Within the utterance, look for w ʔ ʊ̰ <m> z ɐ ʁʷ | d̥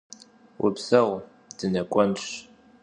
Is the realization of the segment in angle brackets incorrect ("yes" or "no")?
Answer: yes